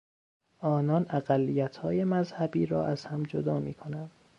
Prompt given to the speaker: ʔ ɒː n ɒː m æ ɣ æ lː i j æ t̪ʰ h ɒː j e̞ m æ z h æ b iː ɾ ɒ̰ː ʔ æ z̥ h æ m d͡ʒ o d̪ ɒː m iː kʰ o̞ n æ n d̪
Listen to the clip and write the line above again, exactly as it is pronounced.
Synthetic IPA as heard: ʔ ɒː n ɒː n æ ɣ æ lː i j æ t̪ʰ h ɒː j e̞ m æ z h æ b iː ɾ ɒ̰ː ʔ æ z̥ h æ m d͡ʒ o d̪ ɒː m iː kʰ o̞ n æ n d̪